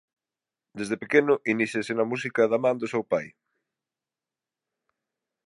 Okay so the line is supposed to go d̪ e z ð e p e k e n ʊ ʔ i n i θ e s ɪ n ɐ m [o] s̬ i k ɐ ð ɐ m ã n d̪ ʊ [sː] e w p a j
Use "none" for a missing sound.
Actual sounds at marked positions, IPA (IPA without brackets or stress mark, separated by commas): u, s